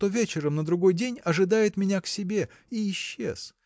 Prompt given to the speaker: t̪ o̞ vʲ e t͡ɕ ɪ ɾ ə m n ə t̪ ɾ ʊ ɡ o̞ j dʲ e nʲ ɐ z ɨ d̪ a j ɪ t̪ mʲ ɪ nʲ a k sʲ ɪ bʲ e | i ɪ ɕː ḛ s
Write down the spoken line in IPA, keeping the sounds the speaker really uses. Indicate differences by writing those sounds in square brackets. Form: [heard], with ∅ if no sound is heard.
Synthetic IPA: t̪ o̞ vʲ e t͡ɕ ɪ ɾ ə m n ə [d̪] ɾ ʊ ɡ o̞ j dʲ e nʲ ɐ [ʐ] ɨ d̪ a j ɪ t̪ mʲ ɪ nʲ a k sʲ ɪ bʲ e | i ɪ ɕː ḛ s